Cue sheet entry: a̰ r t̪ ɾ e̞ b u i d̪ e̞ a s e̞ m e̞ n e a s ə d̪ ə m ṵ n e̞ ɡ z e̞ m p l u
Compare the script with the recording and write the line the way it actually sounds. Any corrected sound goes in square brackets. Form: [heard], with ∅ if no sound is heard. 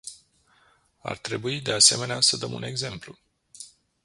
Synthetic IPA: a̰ r t̪ ɾ e̞ b u i d̪ e̞ a s e̞ m e̞ n e a s ə d̪ ə m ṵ n e̞ ɡ z e̞ m p l u